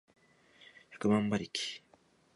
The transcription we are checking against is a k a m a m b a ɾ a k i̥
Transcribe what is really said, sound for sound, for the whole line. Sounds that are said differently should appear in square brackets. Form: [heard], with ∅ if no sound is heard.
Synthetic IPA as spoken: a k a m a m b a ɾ [i] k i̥